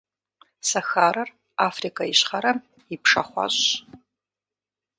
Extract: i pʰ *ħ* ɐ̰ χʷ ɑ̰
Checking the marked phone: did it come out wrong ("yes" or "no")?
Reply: yes